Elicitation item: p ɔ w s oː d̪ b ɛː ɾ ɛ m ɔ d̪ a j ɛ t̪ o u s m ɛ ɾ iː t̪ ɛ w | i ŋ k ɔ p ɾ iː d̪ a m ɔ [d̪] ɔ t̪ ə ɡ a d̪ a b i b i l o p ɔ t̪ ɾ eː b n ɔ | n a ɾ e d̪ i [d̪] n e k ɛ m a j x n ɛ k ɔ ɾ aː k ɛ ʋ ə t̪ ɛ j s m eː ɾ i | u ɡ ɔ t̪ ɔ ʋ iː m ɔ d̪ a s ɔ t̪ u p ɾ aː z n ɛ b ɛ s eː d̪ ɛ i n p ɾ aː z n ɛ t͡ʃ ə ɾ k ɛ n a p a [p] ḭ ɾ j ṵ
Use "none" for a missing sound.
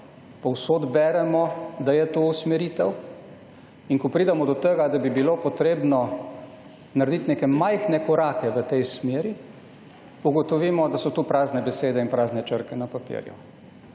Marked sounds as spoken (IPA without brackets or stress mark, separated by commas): d̪, t̪, p